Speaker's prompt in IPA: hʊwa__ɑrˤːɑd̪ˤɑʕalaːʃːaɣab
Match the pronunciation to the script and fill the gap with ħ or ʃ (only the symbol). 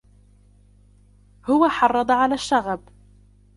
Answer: ħ